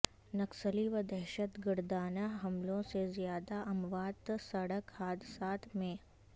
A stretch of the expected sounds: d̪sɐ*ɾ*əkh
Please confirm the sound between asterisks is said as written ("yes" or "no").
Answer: no